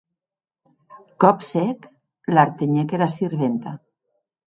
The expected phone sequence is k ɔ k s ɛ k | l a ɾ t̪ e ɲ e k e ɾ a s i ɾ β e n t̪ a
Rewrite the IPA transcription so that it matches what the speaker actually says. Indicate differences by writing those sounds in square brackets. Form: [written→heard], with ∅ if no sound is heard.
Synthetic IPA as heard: k ɔ [k→p] s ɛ k | l a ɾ t̪ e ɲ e k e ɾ a s i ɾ β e n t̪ a